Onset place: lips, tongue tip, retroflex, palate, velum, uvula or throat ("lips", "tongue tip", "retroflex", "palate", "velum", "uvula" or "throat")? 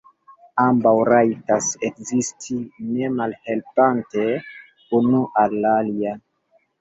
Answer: lips